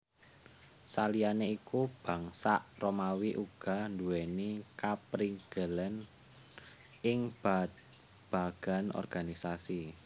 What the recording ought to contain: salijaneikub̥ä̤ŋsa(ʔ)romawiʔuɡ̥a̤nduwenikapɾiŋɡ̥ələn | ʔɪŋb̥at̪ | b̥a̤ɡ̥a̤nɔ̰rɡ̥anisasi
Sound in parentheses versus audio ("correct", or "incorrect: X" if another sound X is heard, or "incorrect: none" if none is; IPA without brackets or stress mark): correct